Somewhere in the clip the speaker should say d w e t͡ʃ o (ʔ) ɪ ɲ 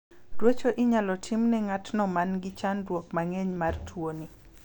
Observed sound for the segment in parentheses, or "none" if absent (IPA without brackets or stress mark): ʔ